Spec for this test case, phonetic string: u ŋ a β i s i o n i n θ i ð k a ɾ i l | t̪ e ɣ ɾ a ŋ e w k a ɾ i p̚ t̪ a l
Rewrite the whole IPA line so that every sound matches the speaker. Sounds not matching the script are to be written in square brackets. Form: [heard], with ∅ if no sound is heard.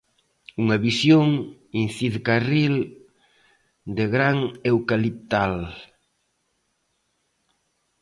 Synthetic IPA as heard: u ŋ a β i s [j] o [ŋ] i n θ i ð k a [r] i l | [d̪] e ɣ ɾ a ŋ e w k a [l] i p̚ t̪ a l